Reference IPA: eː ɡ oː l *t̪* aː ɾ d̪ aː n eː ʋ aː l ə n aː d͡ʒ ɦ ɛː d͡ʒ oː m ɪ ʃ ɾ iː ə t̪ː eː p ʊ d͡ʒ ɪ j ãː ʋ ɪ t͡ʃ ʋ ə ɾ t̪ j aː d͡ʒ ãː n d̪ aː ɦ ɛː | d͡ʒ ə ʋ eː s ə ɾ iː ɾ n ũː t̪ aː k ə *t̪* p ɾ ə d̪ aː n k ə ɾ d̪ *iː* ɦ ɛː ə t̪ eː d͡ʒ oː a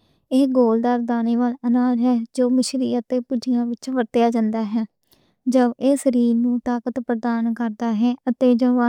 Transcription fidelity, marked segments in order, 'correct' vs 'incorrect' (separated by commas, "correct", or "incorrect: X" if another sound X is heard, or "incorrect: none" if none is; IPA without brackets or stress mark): incorrect: d̪, correct, incorrect: aː